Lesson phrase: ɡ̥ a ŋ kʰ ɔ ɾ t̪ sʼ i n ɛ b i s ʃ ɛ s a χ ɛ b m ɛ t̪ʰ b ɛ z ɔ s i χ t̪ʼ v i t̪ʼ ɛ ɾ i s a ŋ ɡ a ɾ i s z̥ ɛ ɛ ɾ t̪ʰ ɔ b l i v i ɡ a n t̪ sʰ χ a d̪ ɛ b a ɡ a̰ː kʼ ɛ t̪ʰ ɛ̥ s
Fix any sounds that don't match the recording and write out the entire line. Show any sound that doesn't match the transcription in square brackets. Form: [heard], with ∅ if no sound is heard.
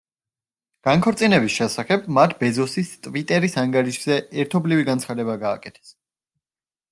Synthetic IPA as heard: ɡ̥ a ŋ kʰ ɔ ɾ t̪ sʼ i n ɛ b i s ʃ ɛ s a χ ɛ b m [a] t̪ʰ b ɛ z ɔ s i [s] t̪ʼ v i t̪ʼ ɛ ɾ i s a ŋ ɡ a ɾ i [ʃ] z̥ ɛ ɛ ɾ t̪ʰ ɔ b l i v i ɡ a n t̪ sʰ χ a d̪ ɛ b a ɡ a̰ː kʼ ɛ t̪ʰ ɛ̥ s

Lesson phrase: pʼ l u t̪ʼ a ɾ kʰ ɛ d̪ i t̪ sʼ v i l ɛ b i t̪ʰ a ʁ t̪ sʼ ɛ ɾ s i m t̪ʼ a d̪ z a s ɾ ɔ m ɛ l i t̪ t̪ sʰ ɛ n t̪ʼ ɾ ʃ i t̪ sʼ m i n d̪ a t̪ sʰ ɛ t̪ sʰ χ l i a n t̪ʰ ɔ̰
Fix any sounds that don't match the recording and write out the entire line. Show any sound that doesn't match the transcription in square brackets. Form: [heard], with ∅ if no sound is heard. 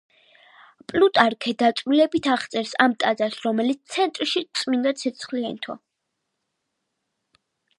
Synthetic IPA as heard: pʼ l u t̪ʼ a ɾ kʰ ɛ d̪ [a] t̪ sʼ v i l ɛ b i t̪ʰ a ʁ t̪ sʼ ɛ ɾ s [a] m t̪ʼ a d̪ z a s ɾ ɔ m ɛ l i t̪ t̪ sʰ ɛ n t̪ʼ ɾ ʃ i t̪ sʼ m i n d̪ a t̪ sʰ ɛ t̪ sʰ χ l i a n t̪ʰ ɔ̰

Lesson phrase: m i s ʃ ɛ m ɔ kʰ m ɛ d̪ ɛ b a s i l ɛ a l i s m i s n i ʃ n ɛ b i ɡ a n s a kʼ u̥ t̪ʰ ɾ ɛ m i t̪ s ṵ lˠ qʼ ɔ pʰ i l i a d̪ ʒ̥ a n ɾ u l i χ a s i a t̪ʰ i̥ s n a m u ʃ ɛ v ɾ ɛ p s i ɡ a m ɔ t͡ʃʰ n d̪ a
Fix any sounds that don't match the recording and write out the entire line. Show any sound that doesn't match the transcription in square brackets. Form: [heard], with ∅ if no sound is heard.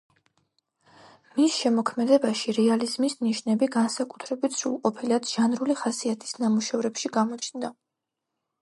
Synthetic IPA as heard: m i s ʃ ɛ m ɔ kʰ m ɛ d̪ ɛ b a [ʃ] i [ɾ] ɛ a l i [z] m i s n i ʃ n ɛ b i ɡ a n s a kʼ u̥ t̪ʰ ɾ ɛ [b] i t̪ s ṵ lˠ qʼ ɔ pʰ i l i a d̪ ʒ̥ a n ɾ u l i χ a s i a t̪ʰ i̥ s n a m u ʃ ɛ v ɾ ɛ p [ʃ] i ɡ a m ɔ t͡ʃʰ n d̪ a

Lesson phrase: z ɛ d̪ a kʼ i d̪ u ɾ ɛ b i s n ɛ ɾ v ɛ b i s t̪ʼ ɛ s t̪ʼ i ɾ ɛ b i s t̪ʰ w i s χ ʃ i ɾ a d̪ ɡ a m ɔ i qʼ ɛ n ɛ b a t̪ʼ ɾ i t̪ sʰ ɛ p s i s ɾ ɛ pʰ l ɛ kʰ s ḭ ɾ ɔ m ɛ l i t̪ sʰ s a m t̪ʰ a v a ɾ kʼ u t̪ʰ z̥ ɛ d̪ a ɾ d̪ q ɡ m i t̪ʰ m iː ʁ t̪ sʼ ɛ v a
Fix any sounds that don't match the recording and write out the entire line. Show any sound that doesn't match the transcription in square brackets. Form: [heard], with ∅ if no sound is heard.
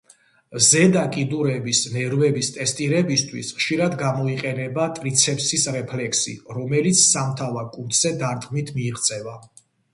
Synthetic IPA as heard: z ɛ d̪ a kʼ i d̪ u ɾ ɛ b i s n ɛ ɾ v ɛ b i s t̪ʼ ɛ s t̪ʼ i ɾ ɛ b i s t̪ʰ w i s χ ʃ i ɾ a d̪ ɡ a m ɔ i qʼ ɛ n ɛ b a t̪ʼ ɾ i t̪ sʰ ɛ p s i s ɾ ɛ pʰ l ɛ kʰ s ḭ ɾ ɔ m ɛ l i t̪ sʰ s a m t̪ʰ a v a ɾ kʼ u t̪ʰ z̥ ɛ d̪ a ɾ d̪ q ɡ m i t̪ʰ m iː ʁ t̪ sʼ ɛ v a

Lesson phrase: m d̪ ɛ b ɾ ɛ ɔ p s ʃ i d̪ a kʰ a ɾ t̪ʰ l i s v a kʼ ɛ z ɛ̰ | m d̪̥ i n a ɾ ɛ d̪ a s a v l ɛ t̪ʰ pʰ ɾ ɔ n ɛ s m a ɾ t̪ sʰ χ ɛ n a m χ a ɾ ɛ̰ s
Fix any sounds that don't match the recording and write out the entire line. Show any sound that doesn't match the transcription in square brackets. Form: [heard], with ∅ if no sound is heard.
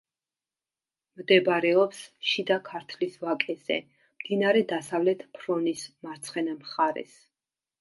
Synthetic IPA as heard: m d̪ ɛ b ɾ ɛ ɔ p s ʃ i d̪ a kʰ a ɾ t̪ʰ l i s v a kʼ ɛ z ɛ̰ | m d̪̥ i n a ɾ ɛ d̪ a s a v l ɛ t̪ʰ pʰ ɾ ɔ n [i] s m a ɾ t̪ sʰ χ ɛ n a m χ a ɾ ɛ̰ s

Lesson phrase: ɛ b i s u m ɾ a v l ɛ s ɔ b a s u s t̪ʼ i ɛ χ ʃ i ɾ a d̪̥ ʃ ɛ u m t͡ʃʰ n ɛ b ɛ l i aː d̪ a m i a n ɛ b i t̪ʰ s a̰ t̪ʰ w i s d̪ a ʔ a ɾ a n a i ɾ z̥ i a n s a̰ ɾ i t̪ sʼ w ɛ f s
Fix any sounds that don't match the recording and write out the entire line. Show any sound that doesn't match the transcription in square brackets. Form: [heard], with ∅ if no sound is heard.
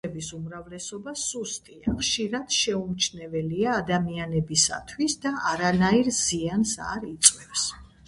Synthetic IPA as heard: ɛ b i s u m ɾ a v l ɛ s ɔ b a s u s t̪ʼ i [a] χ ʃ i ɾ a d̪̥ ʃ ɛ u m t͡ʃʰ n ɛ [v] ɛ l i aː d̪ a m i a n ɛ b i [∅] s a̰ t̪ʰ w i s d̪ a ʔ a ɾ a n a i ɾ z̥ i a n s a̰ ɾ i t̪ sʼ w ɛ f s

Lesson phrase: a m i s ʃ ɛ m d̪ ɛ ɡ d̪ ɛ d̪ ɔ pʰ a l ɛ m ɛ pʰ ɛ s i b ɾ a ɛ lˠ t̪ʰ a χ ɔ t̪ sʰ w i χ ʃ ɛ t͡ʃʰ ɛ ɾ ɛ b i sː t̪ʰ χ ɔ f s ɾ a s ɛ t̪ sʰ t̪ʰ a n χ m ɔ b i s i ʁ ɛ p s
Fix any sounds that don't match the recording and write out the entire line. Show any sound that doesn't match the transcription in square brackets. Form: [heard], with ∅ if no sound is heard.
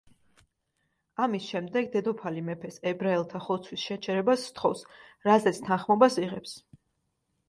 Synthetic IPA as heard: a m i s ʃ ɛ m d̪ ɛ ɡ d̪ ɛ d̪ ɔ pʰ a l [i] m ɛ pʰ ɛ s [ɛ] b ɾ a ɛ lˠ t̪ʰ a χ ɔ t̪ sʰ w i [s] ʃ ɛ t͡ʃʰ ɛ ɾ ɛ b [a] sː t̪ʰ χ ɔ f s ɾ a [z] ɛ t̪ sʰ t̪ʰ a n χ m ɔ b [a] s i ʁ ɛ p s

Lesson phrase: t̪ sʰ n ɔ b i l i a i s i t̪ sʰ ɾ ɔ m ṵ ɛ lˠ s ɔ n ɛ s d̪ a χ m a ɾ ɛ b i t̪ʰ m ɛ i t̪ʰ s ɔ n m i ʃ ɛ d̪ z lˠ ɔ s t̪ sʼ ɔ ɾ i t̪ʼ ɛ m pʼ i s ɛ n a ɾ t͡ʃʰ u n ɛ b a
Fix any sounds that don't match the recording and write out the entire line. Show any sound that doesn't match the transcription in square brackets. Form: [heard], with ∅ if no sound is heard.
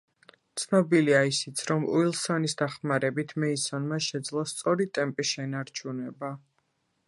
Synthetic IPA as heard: t̪ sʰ n ɔ b i l i a i s i t̪ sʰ ɾ ɔ m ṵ [i] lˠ s ɔ n [i] s d̪ a χ m a ɾ ɛ b i t̪ʰ m ɛ i [∅] s ɔ n m [a] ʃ ɛ d̪ z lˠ ɔ s t̪ sʼ ɔ ɾ i t̪ʼ ɛ m pʼ i [ʃ] ɛ n a ɾ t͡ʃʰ u n ɛ b a

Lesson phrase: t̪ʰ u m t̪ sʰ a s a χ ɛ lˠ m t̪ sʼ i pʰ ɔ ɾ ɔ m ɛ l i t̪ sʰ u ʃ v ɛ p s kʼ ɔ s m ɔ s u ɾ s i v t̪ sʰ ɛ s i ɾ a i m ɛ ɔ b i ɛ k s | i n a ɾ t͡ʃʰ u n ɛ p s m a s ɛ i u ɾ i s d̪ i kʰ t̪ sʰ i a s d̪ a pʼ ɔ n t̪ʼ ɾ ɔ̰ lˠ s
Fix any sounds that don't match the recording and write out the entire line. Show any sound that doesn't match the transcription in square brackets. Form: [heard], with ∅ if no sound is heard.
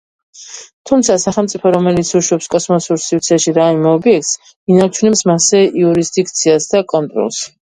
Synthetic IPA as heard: t̪ʰ u m t̪ sʰ a s a χ ɛ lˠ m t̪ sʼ i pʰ ɔ ɾ ɔ m ɛ l i t̪ sʰ u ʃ [w] ɛ p s kʼ ɔ s m ɔ s u ɾ s i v t̪ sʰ ɛ [ʃ] i ɾ a i m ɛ ɔ b i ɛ k s | i n a ɾ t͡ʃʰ u n ɛ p s m a s ɛ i u ɾ i s d̪ i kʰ t̪ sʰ i a s d̪ a [kʼ] ɔ n t̪ʼ ɾ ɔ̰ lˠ s

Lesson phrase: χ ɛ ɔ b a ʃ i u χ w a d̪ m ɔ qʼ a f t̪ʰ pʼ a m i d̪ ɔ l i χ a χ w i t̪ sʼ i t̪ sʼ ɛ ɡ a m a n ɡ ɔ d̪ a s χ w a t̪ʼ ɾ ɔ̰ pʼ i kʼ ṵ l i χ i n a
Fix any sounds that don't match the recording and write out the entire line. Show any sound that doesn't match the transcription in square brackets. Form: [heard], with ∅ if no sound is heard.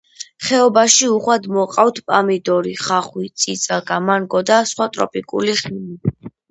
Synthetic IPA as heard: χ ɛ ɔ b a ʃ i u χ w a d̪ m ɔ qʼ a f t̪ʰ pʼ a m i d̪ ɔ [ɾ] i χ a χ w i t̪ sʼ i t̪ sʼ [a] ɡ a m a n ɡ ɔ d̪ a s χ w a t̪ʼ ɾ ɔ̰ pʼ i kʼ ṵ l i χ i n [i]

